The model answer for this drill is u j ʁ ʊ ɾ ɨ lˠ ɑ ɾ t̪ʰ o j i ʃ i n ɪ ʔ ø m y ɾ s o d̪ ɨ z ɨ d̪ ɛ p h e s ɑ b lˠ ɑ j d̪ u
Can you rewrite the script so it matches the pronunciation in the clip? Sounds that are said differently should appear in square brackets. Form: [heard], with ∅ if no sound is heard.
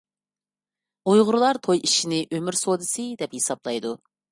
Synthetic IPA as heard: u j ʁ ʊ ɾ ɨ lˠ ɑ ɾ t̪ʰ o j i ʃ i n ɪ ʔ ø m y ɾ s o d̪ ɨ [s] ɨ d̪ ɛ p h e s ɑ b lˠ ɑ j d̪ u